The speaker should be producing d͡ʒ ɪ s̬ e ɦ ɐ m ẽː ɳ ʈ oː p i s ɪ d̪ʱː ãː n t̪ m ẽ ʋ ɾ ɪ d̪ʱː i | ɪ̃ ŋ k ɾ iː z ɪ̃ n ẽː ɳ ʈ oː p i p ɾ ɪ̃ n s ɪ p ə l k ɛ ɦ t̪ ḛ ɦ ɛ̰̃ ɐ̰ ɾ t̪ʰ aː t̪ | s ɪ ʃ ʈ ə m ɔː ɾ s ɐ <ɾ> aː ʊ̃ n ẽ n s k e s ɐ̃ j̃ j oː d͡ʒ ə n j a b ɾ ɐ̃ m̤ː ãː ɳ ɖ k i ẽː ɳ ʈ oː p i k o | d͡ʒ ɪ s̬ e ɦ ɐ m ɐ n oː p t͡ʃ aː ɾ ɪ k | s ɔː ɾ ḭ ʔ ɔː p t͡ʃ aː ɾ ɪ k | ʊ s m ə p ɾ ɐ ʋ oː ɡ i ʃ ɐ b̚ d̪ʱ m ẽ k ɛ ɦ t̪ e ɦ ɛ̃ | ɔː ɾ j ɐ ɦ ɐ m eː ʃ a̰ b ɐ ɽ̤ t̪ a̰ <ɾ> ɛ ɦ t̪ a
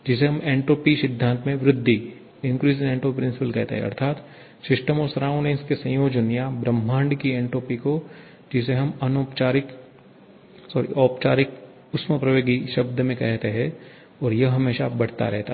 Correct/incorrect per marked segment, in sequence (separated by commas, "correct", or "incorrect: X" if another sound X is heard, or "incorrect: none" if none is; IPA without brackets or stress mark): correct, correct